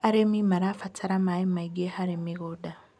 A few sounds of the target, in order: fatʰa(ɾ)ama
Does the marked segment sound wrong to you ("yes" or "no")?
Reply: no